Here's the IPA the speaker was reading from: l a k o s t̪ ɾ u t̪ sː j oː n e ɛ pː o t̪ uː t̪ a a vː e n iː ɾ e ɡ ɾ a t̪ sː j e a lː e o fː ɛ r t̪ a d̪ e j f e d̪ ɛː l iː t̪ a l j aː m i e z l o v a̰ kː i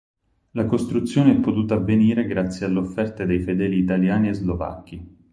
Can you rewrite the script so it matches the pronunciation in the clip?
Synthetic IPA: l a k o s t̪ ɾ u t̪ sː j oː n e ɛ pː o t̪ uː t̪ a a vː e n iː ɾ e ɡ ɾ a t̪ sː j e a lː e o fː ɛ r t̪ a d̪ e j f e d̪ ɛː l iː t̪ a l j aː n i e z l o v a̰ kː i